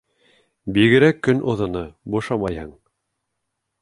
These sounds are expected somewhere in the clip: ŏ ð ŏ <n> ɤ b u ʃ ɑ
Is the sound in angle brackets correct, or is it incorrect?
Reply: correct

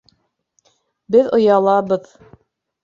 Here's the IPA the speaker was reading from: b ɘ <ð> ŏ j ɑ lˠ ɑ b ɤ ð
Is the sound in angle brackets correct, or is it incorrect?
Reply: correct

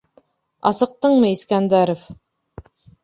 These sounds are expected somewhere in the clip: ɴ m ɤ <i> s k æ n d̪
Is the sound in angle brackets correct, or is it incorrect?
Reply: correct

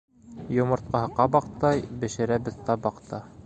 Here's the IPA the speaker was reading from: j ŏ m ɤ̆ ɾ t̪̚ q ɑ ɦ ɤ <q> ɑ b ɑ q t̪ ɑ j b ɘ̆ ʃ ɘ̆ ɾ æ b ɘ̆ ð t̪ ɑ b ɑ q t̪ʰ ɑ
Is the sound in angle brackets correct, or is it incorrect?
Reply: correct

